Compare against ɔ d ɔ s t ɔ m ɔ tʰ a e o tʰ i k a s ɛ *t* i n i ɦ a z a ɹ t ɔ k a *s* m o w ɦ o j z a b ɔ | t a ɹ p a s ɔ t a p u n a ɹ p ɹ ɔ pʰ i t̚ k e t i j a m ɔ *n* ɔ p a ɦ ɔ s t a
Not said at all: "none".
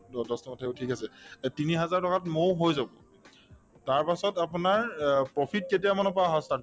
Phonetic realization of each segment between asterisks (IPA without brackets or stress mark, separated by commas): t, t, n